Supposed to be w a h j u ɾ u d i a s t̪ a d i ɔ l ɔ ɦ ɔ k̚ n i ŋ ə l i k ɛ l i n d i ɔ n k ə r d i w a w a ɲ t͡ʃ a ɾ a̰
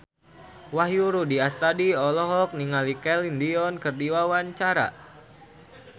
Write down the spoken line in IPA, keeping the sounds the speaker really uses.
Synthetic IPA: w a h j u ɾ u d i a s t̪ a d i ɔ l ɔ ɦ ɔ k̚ n i ŋ a l i k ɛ l i n d i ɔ n k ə r d i w a w a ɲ t͡ʃ a ɾ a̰